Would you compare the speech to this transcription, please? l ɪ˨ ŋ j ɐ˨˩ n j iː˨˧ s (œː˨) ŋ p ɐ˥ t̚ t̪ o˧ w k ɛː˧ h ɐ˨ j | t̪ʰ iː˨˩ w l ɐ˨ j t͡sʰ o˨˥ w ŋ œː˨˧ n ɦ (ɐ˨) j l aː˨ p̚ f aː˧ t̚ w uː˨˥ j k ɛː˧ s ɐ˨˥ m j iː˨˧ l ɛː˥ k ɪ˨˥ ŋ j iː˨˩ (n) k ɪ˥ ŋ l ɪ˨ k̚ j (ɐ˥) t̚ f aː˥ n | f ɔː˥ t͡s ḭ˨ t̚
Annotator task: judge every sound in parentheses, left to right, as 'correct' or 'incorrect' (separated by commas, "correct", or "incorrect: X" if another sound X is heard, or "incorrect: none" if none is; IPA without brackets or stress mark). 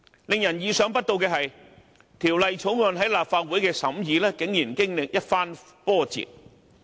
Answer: incorrect: œː˨˥, incorrect: ɐ˨˥, correct, correct